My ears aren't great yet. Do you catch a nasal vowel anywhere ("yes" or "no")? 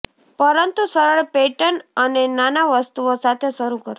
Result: no